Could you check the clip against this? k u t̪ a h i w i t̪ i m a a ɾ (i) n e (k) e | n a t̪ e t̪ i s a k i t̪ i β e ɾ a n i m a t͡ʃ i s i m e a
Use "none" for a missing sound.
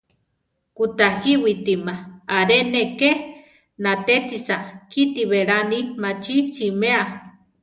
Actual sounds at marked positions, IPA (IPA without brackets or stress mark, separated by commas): e, k